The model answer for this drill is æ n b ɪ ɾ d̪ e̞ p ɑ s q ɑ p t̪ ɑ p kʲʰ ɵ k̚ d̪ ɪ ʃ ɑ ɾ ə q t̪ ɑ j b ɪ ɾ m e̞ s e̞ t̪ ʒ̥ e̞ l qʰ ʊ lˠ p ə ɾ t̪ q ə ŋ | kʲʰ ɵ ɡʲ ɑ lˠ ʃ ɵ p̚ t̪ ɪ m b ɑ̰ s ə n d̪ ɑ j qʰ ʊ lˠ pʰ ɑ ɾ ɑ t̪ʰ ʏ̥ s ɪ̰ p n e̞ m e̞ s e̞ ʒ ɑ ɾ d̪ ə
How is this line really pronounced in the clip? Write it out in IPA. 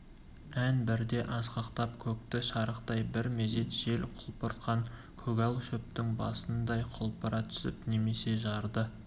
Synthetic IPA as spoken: æ n b ɪ ɾ d̪ e̞ ʔ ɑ s q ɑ q t̪ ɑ p kʲʰ ɵ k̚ t̪ ɪ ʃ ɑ ɾ ə q t̪ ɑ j b ɪ ɾ m e̞ z e̞ t̪ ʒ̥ e̞ l qʰ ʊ lˠ p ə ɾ t̪ q ɑ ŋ | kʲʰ ɵ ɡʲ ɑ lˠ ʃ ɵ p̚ t̪ ɪ ŋ b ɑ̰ s ə n d̪ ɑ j qʰ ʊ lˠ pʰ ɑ ɾ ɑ t̪ʰ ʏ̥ s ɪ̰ p n e̞ m e̞ s e̞ ʒ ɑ ɾ d̪ ə